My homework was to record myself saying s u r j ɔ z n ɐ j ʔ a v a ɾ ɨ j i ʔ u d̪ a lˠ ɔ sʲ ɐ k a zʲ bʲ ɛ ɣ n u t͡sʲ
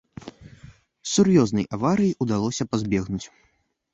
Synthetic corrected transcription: s u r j ɔ z n ɐ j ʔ a v a ɾ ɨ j i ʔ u d̪ a lˠ ɔ sʲ ɐ p a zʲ bʲ ɛ ɣ n u t͡sʲ